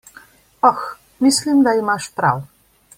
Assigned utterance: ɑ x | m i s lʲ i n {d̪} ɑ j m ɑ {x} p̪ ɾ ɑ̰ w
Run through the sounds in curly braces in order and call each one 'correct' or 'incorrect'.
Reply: correct, incorrect: ʃ

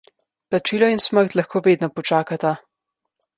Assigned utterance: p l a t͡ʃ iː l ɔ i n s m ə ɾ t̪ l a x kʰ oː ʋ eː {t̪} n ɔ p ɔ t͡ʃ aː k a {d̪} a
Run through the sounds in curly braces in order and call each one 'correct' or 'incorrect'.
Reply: incorrect: d̪, incorrect: t̪

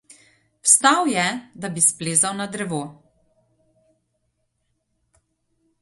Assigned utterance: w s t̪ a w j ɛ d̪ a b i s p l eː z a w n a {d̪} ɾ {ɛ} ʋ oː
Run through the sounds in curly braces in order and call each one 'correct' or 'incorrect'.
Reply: correct, correct

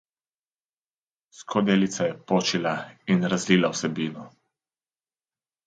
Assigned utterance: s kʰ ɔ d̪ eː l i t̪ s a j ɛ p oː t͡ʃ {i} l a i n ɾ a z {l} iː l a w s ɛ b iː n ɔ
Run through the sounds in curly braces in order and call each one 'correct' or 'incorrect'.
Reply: correct, correct

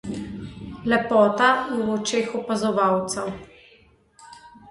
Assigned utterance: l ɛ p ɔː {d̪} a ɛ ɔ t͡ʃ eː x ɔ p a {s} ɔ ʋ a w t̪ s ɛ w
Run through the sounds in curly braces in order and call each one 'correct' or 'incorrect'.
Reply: incorrect: t̪, incorrect: z

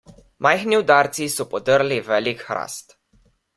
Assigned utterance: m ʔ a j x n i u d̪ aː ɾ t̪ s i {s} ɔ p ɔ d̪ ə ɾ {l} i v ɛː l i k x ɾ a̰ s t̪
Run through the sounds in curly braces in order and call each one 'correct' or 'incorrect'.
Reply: correct, correct

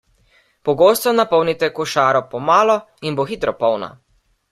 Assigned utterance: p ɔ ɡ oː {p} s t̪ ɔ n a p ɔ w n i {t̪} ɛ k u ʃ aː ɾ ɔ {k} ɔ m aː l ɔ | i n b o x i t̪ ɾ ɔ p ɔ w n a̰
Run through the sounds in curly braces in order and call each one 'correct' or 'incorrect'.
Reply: incorrect: none, correct, incorrect: p

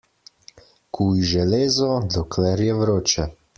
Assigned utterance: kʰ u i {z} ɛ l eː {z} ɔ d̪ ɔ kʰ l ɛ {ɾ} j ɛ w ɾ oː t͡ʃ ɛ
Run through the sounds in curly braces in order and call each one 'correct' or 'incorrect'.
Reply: incorrect: ʒ, correct, correct

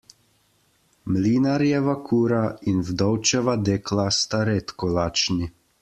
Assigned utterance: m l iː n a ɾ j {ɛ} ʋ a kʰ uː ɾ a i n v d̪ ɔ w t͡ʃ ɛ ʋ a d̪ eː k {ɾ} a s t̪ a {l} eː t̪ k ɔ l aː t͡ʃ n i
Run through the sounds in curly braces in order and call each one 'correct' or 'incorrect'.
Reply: correct, incorrect: l, incorrect: ɾ

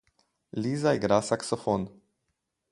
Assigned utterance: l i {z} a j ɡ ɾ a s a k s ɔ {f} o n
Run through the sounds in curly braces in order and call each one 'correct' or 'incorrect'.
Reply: correct, correct

